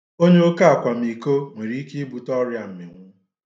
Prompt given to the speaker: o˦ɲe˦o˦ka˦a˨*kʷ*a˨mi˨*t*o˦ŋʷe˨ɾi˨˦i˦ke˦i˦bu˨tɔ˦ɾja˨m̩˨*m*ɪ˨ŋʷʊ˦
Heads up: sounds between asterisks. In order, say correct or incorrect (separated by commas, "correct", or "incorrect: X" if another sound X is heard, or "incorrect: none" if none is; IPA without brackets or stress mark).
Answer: correct, incorrect: k, correct